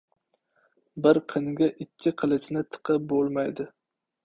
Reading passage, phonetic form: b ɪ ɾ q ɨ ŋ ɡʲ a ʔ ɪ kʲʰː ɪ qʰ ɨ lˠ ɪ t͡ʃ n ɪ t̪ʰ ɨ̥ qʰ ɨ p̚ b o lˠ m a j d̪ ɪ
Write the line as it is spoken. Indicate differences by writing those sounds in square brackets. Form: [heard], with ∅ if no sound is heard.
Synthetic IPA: b ɪ ɾ [qʰ] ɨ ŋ ɡʲ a ʔ ɪ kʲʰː ɪ qʰ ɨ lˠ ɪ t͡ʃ n ɪ t̪ʰ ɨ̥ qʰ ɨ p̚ b o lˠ m a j d̪ ɪ